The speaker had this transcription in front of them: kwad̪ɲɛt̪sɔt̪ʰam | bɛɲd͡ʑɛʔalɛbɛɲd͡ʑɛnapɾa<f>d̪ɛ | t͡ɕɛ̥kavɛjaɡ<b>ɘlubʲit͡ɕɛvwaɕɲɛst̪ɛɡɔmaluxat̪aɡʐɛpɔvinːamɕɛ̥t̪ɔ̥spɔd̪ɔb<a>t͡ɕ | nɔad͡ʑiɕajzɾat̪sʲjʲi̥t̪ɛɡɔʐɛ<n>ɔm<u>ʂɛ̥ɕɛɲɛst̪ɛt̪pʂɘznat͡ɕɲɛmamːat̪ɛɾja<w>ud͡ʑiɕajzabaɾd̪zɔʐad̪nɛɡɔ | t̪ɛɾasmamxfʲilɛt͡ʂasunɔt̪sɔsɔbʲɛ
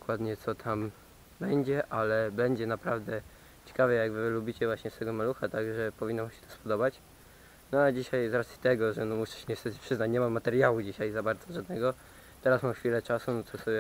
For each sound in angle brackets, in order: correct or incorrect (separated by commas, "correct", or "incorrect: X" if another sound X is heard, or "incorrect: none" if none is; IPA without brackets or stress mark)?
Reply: incorrect: v, incorrect: v, correct, correct, correct, correct